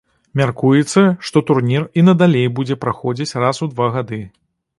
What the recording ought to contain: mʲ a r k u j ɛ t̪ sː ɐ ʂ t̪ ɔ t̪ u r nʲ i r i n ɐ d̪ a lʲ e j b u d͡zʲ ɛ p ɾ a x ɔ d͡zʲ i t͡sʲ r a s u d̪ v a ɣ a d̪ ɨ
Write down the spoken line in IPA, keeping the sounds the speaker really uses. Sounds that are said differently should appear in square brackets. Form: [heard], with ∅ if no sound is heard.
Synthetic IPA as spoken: mʲ a r k u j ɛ t̪ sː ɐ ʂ t̪ ɔ t̪ u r nʲ i r i n ɐ d̪ a lʲ e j b u d͡zʲ ɛ p ɾ a x ɔ d͡zʲ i t͡sʲ r a s u d̪ v a ɣ a d̪ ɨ